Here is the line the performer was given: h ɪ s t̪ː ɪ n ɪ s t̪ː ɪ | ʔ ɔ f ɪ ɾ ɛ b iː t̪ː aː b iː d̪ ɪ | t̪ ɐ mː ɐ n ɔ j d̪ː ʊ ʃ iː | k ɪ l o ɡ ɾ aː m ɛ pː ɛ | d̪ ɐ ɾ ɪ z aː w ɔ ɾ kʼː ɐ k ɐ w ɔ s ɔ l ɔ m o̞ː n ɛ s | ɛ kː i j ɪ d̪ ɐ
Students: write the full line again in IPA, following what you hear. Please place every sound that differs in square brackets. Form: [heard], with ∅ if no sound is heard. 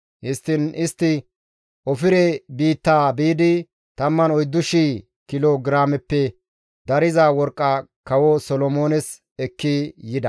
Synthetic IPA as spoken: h ɪ s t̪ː ɪ n ɪ s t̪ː ɪ | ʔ ɔ f ɪ ɾ ɛ b iː t̪ː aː b iː d̪ ɪ | t̪ ɐ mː ɐ n ɔ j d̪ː ʊ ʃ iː | k ɪ l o ɡ ɾ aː m ɛ pː ɛ | d̪ ɐ ɾ ɪ z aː w ɔ ɾ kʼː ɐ k ɐ w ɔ s ɔ l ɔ m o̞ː n ɛ s | ɛ kː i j ɪ d̪ ɐ